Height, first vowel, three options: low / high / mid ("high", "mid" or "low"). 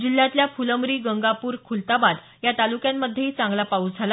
high